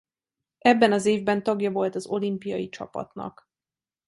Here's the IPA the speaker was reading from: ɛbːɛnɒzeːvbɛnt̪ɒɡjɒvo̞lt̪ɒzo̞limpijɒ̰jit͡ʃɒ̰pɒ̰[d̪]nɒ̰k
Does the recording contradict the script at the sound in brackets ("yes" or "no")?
yes